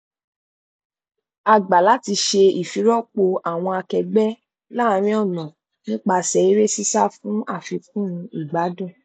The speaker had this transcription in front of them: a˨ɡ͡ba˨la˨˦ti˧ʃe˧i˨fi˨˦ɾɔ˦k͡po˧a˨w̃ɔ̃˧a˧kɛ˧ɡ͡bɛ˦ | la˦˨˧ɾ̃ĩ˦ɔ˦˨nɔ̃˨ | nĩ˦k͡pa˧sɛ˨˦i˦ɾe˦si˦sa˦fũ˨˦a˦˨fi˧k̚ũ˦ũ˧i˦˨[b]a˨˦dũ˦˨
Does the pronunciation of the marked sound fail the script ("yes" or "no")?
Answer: yes